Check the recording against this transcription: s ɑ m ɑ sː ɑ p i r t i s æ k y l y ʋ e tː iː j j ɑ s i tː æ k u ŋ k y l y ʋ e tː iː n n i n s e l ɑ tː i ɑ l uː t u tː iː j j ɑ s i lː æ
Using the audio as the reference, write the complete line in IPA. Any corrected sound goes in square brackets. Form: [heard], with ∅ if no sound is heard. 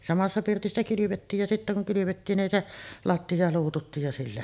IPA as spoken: s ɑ m ɑ sː ɑ p i r t i [sː] æ k y l y ʋ e tː iː j j ɑ s i tː æ k u ŋ k y l y ʋ e tː iː n n i n s e l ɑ tː i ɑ l uː t u tː iː j j ɑ s i lː æ